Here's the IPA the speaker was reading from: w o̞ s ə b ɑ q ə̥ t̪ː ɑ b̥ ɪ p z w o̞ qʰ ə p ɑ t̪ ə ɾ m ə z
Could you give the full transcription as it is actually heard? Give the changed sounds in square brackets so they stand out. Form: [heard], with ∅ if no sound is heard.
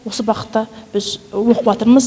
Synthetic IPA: w o̞ s ə b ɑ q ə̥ t̪ː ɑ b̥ ɪ [∅] z w o̞ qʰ ə p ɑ t̪ ə ɾ m ə z